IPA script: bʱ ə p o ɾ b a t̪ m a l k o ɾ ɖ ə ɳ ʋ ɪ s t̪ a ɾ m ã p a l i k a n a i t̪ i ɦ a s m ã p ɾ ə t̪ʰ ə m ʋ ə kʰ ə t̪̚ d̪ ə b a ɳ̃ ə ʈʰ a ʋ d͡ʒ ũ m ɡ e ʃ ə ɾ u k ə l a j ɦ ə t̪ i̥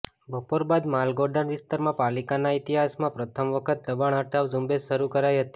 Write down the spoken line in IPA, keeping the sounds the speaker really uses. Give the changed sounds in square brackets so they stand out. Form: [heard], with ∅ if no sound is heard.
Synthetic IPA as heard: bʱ ə p o ɾ b a [d̪] m a l [ɡ] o ɾ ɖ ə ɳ ʋ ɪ s t̪ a ɾ m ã p a l i k a n a i t̪ i ɦ a s m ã p ɾ ə t̪ʰ ə m ʋ ə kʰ ə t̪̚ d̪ ə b a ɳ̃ ə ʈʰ a ʋ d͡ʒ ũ m [b] e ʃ ə ɾ u k ə [ɾ] a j ɦ ə t̪ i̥